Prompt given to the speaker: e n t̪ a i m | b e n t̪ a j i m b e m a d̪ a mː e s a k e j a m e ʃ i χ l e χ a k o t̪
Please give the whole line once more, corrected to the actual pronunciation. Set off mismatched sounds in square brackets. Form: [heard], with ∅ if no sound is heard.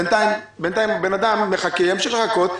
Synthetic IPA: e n t̪ a i m | b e n t̪ a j i m b e [n] a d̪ a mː e [χ] a k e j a m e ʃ i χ l e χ a k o t̪